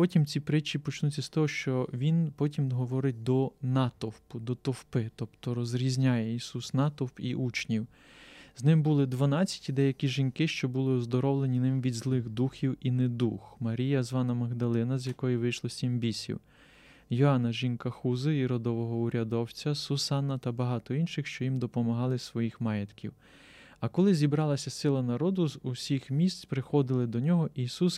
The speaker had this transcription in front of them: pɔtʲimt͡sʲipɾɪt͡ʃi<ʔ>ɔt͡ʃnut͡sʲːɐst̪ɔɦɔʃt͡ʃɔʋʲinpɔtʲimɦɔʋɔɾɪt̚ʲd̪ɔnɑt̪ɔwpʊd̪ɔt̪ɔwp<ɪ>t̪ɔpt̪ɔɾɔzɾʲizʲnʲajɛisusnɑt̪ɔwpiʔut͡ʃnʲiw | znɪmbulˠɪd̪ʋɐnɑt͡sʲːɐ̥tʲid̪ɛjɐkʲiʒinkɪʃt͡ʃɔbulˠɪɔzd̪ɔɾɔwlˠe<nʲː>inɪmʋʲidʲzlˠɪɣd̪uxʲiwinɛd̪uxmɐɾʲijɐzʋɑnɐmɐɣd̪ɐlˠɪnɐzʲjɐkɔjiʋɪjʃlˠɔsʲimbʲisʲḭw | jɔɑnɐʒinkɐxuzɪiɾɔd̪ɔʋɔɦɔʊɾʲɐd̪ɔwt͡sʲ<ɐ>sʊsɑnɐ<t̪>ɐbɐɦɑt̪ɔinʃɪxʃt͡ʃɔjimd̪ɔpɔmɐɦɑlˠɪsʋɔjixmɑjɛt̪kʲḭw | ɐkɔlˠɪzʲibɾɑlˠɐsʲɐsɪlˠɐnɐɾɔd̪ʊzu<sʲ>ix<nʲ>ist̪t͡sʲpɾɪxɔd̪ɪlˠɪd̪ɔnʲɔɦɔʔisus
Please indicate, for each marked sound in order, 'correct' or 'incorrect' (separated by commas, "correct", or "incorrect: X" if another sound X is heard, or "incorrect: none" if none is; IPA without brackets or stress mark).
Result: incorrect: p, correct, incorrect: nʲ, correct, correct, correct, incorrect: mʲ